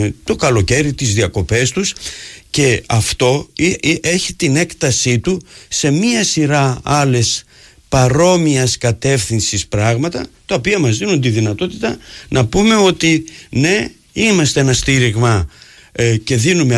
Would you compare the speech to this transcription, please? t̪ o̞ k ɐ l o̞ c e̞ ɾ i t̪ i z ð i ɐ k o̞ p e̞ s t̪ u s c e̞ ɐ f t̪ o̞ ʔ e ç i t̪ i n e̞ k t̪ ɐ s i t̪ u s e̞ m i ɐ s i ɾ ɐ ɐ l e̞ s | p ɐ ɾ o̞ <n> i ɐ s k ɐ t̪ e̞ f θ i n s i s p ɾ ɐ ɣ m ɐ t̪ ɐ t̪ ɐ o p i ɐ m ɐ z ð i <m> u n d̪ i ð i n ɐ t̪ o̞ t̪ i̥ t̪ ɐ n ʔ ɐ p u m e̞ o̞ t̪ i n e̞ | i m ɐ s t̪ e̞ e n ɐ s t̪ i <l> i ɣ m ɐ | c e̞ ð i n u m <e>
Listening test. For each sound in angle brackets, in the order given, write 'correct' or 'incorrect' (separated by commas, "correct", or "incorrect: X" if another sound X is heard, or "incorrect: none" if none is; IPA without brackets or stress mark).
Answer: incorrect: m, incorrect: n, incorrect: ɾ, correct